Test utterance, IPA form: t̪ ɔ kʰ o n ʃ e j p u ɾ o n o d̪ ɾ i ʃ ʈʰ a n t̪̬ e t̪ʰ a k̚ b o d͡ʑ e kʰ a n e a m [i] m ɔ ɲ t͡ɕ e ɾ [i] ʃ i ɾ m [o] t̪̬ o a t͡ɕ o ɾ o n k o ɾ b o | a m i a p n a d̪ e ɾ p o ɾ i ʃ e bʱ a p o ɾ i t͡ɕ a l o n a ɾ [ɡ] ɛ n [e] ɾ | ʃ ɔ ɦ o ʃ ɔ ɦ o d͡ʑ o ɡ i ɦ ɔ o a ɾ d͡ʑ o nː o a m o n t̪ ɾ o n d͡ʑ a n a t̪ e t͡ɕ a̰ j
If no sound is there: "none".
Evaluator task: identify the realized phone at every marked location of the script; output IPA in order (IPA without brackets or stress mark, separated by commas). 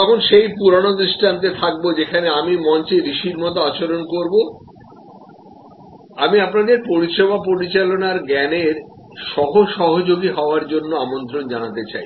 i, i, ɔ, ɡ, e